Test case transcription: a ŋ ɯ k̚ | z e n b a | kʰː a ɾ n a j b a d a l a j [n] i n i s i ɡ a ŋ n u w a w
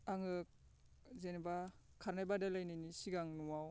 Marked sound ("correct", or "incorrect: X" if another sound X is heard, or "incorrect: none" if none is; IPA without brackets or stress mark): correct